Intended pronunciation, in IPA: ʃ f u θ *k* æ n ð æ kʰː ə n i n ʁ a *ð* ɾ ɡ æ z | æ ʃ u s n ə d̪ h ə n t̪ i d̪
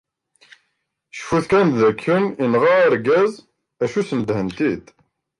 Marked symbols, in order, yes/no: yes, no

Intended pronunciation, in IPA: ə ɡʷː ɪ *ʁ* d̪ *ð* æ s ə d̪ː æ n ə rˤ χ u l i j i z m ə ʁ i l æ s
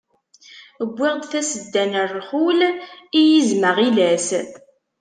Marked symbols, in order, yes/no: yes, no

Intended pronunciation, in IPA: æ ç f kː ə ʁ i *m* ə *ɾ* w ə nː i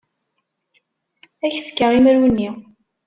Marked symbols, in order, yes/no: yes, yes

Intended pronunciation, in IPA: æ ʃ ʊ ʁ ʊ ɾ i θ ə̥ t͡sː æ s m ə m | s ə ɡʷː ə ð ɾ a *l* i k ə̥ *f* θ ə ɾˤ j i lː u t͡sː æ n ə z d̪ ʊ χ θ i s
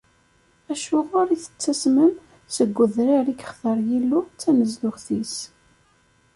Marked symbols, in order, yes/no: no, no

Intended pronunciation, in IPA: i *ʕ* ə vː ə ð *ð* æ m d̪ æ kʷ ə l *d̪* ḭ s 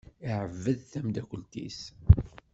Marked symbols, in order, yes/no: yes, no, no

